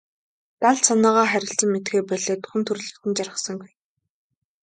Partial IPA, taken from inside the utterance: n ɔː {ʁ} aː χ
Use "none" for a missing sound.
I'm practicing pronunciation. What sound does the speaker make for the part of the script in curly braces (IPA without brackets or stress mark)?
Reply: ʁ